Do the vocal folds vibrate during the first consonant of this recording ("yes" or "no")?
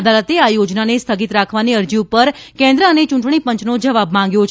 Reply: yes